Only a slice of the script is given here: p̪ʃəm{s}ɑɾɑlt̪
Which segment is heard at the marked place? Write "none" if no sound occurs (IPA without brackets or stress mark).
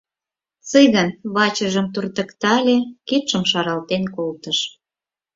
ʃ